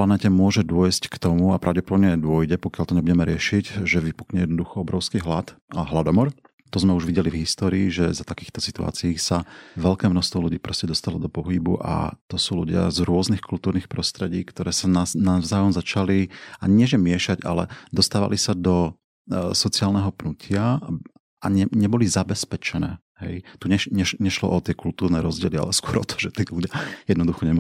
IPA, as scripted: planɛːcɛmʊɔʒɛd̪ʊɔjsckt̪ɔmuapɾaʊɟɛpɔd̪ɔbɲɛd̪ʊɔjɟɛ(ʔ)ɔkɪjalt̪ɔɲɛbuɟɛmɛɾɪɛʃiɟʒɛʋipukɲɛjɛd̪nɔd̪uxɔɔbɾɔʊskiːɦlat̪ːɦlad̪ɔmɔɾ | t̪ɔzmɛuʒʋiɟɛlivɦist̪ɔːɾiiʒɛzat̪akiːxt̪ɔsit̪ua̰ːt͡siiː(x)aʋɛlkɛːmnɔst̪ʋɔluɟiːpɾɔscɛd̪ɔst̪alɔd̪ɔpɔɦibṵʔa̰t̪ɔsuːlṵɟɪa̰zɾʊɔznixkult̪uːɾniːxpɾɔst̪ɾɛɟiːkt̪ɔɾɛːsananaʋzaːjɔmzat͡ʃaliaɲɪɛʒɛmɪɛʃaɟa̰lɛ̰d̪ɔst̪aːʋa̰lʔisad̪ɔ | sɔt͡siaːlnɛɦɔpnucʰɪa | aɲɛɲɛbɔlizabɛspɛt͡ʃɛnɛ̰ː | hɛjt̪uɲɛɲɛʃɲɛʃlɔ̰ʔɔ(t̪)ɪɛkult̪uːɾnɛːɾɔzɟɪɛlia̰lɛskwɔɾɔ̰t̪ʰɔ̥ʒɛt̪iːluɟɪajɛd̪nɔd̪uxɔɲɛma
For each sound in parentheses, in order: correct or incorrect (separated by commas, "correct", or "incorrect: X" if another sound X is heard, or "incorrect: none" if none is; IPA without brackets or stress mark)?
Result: incorrect: p, incorrect: s, correct